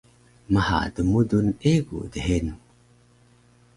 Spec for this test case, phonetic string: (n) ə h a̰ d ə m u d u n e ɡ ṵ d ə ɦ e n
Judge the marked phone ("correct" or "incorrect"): incorrect